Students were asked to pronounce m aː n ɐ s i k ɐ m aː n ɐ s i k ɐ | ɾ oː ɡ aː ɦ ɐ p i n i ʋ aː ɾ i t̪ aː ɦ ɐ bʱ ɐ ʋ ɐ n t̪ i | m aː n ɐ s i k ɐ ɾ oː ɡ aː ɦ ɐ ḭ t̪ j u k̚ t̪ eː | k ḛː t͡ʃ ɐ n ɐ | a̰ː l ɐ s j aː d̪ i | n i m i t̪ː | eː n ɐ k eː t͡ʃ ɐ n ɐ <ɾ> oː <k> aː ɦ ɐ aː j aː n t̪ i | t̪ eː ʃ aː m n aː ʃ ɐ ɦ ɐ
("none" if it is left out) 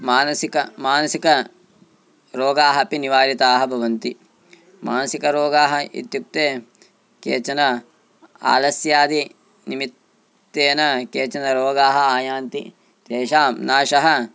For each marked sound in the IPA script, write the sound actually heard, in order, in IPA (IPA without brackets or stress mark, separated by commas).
ɾ, ɡ